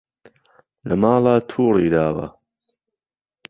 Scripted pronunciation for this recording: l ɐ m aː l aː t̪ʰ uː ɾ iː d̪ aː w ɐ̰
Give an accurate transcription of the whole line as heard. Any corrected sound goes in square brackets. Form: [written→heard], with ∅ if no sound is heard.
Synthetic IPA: l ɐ m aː l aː t̪ʰ uː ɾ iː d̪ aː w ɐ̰